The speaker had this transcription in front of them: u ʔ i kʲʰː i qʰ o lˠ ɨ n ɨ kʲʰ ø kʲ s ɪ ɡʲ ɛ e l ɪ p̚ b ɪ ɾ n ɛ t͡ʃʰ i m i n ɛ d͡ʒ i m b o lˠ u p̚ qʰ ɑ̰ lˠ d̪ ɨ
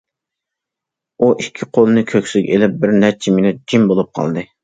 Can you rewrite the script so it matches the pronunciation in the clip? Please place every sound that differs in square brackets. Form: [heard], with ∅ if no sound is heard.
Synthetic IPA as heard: u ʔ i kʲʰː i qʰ o lˠ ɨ n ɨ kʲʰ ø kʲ s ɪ ɡʲ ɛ e l ɪ p̚ b ɪ ɾ n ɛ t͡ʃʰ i m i n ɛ d͡ʒ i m b o lˠ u p̚ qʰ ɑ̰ lˠ d̪ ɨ